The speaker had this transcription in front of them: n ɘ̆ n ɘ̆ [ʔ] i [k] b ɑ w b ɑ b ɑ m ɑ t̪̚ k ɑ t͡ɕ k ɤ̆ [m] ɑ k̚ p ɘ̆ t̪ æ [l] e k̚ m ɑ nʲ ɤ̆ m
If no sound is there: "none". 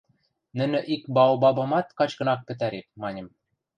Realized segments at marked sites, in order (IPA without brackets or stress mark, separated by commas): ʔ, k, n, ɾ